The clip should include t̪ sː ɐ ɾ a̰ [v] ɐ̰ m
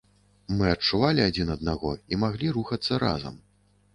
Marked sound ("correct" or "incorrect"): incorrect